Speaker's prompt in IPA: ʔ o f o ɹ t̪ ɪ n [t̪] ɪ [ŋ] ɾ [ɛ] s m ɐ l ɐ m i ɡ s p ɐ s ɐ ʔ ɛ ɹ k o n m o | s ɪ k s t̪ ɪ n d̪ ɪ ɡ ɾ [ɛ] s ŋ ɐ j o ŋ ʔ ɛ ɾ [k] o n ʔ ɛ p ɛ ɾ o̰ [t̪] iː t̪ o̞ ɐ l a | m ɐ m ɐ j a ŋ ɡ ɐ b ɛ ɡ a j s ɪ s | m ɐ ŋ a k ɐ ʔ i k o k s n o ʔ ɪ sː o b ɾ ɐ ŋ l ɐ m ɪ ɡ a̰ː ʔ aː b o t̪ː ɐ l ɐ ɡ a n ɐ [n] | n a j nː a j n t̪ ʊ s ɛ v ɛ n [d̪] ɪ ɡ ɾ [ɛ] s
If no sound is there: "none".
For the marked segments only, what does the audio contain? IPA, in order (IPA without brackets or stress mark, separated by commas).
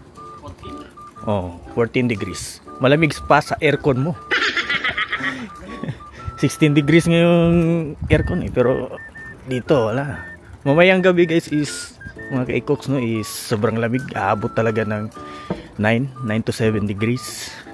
d̪, ɡ, i, i, k, d̪, ŋ, d̪, i